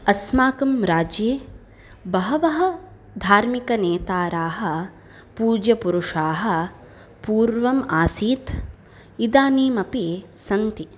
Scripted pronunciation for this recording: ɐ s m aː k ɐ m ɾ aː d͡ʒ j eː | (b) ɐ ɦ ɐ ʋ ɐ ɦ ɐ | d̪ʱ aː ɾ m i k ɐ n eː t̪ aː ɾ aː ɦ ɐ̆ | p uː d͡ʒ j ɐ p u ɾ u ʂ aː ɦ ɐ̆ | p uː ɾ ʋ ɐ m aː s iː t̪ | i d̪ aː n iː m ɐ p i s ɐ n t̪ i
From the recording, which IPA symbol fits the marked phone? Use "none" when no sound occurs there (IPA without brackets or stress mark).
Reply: b